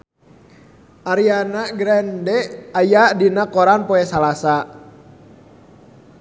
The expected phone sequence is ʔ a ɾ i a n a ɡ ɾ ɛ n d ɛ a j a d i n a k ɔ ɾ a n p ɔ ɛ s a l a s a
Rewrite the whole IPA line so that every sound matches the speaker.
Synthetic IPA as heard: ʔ a ɾ i a n a ɡ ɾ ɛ n d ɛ a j a d i n a k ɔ ɾ a n p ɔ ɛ s a l a s a

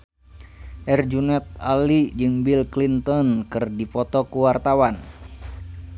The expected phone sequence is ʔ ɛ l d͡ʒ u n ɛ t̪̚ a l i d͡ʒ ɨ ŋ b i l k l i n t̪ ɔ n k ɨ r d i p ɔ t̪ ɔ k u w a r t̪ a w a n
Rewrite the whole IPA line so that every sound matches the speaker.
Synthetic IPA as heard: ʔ ɛ r d͡ʒ u n ɛ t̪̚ a l i d͡ʒ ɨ ŋ b i l k l i n t̪ ɔ n k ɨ r d i p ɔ t̪ ɔ k u w a r t̪ a w a n

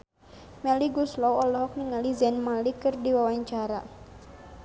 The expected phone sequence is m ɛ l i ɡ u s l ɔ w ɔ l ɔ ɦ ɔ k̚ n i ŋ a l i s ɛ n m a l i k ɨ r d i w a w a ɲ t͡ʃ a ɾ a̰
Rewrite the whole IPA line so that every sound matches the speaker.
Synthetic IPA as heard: m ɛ l i ɡ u s l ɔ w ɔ l ɔ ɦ ɔ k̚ n i ŋ a l i z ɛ n m a l i k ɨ r d i w a w a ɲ t͡ʃ a ɾ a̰

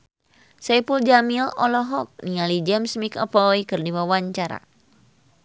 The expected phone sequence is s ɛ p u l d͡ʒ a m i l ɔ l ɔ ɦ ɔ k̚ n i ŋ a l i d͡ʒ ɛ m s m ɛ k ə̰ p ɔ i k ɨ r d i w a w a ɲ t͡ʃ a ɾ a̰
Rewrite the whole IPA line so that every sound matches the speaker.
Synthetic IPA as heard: s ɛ p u l d͡ʒ a m i l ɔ l ɔ ɦ ɔ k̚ n i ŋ a l i d͡ʒ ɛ m s m i k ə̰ p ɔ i k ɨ r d i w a w a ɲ t͡ʃ a ɾ a̰

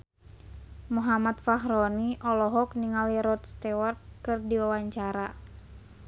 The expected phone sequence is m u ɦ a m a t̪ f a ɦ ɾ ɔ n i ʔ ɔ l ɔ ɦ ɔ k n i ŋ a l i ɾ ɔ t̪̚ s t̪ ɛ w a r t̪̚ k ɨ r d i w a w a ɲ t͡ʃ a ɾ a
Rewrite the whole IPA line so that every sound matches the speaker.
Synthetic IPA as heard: m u ɦ a m a t̪ f a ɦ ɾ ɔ n i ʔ ɔ l ɔ ɦ ɔ k n i ŋ a l i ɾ ɔ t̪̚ s t̪ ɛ w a r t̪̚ k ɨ r d i w a w a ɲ t͡ʃ a ɾ a

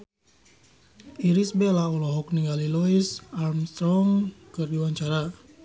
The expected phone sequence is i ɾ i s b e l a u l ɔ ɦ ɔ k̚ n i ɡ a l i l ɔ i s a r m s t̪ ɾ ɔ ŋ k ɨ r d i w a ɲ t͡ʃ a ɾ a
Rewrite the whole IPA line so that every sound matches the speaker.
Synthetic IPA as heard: i ɾ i s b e l a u l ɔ ɦ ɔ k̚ n i ɡ a l i l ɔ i s a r m s t̪ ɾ ɔ ŋ k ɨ r d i w a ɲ t͡ʃ a ɾ a

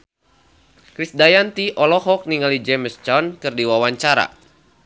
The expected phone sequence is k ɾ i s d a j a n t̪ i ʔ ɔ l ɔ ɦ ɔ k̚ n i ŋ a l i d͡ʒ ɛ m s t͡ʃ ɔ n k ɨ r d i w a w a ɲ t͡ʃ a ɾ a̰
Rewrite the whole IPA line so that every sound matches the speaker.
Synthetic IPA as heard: k ɾ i s d a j a n t̪ i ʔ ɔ l ɔ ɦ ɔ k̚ n i ŋ a l i d͡ʒ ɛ m s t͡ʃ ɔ n k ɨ r d i w a w a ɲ t͡ʃ a ɾ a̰

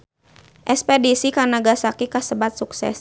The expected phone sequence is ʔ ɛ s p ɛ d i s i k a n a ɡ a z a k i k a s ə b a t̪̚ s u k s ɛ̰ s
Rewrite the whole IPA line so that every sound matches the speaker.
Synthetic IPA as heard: ʔ ɛ s p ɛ d i s i k a n a ɡ a s a k i k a s ə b a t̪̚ s u k s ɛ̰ s

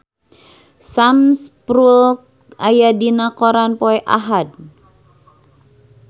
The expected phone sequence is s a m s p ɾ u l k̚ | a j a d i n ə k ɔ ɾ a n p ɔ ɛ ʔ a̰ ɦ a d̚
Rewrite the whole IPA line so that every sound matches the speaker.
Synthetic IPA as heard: s a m s p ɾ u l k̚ | a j a d i n a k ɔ ɾ a n p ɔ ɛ ʔ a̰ ɦ a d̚

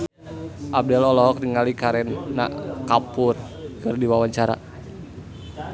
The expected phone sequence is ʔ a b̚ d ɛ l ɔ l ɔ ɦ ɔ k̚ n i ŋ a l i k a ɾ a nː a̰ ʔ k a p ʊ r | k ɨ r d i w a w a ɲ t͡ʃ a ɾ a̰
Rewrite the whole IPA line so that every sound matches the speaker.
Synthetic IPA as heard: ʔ a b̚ d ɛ l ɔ l ɔ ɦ ɔ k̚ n i ŋ a l i k a ɾ ɛ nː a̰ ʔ k a p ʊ r | k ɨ r d i w a w a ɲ t͡ʃ a ɾ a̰

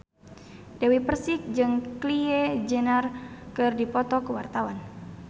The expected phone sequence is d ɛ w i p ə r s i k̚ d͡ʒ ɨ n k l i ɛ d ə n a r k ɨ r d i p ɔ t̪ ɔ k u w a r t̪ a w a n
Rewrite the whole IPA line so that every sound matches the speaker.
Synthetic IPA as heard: d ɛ w i p ə r s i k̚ d͡ʒ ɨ ŋ k l i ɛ d͡ʒ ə n a r k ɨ r d i p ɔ t̪ ɔ k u w a r t̪ a w a n

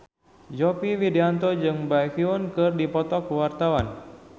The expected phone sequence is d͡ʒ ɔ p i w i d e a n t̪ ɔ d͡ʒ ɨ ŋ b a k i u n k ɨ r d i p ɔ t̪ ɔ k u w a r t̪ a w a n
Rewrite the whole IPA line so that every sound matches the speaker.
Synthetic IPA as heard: d͡ʒ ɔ p i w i d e a n t̪ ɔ d͡ʒ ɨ ŋ b a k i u n k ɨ r d i p ɔ t̪ ɔ k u w a r t̪ a w a n

